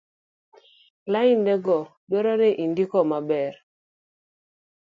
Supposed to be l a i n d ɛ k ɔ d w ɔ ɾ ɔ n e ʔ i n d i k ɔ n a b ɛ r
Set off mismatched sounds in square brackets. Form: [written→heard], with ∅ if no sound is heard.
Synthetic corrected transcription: l a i n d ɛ [k→ɡ] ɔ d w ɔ ɾ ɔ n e ʔ i n d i k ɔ [n→m] a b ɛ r